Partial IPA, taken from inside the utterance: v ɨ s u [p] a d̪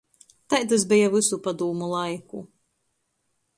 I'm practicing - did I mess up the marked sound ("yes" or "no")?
no